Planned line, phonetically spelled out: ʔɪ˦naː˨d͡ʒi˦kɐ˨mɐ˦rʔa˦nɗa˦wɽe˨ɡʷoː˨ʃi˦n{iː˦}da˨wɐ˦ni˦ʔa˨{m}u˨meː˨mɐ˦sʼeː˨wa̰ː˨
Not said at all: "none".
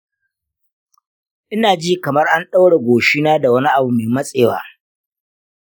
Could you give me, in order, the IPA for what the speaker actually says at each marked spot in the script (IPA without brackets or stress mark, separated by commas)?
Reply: aː˦, b